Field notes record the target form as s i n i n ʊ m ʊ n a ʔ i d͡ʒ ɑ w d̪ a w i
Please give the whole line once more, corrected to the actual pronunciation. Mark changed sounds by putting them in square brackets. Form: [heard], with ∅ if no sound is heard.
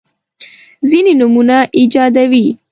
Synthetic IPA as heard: [z] i n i n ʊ m [u] n a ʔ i d͡ʒ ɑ [∅] d̪ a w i